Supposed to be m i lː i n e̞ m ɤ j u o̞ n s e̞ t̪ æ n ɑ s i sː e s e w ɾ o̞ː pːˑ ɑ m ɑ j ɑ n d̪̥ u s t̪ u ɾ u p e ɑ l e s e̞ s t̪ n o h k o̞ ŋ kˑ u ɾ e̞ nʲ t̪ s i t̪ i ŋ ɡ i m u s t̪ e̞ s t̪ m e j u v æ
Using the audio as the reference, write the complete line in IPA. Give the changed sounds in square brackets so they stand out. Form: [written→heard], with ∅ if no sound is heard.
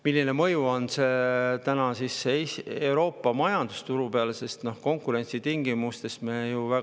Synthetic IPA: m i lː i n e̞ m ɤ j u o̞ n s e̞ t̪ æ n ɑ s i sː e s e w ɾ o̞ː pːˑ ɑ m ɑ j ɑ n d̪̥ u s t̪ u ɾ u p e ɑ l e s e̞ s t̪ n o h k o̞ ŋ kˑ u ɾ e̞ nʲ t̪ s i t̪ i ŋ ɡ i m u s t̪ e̞ s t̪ m e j u v æ